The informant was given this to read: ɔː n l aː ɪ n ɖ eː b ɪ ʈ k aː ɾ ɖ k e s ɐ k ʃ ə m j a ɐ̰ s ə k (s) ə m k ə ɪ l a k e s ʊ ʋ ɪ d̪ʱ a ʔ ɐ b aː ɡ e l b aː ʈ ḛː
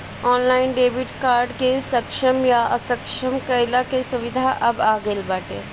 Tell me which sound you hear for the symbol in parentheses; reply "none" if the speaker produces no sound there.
ʃ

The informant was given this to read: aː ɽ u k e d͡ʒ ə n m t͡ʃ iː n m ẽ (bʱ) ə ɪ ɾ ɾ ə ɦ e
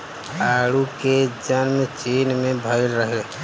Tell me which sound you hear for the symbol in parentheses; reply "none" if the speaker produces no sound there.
bʱ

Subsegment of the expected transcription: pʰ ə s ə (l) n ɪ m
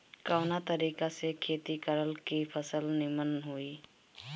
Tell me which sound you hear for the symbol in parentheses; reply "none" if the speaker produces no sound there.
l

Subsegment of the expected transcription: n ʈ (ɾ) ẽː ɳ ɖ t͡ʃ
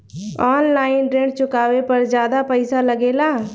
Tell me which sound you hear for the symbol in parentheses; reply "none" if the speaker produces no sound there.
ɾ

